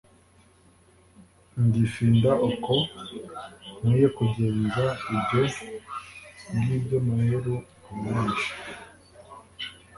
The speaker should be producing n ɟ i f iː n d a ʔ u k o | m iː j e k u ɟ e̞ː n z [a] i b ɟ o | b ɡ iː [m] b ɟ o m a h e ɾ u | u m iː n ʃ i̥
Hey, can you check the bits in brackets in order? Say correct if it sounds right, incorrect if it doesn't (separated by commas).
correct, incorrect